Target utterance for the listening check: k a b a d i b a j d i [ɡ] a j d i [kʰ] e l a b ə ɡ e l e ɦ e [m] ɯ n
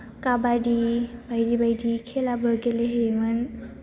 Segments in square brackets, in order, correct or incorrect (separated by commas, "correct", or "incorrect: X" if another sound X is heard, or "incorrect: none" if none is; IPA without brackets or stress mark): incorrect: b, correct, correct